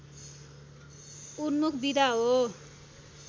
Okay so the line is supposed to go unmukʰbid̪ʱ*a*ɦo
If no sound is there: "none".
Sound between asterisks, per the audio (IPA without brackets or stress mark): a